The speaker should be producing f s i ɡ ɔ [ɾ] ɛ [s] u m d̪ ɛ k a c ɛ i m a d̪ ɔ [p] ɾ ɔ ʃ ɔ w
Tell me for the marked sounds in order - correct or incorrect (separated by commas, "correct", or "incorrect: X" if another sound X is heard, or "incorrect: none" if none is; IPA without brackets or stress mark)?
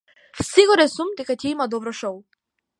correct, correct, incorrect: b